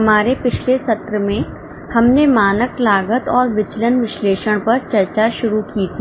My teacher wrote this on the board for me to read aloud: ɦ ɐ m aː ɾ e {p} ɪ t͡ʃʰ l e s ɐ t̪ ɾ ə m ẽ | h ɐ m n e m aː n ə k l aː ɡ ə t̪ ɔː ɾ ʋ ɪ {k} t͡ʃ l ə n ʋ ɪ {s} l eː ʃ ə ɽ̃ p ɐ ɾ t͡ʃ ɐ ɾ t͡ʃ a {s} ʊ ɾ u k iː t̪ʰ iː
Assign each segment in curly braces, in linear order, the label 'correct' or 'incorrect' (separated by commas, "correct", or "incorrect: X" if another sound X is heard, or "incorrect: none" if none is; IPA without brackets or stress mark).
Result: correct, incorrect: none, incorrect: ʃ, incorrect: ʃ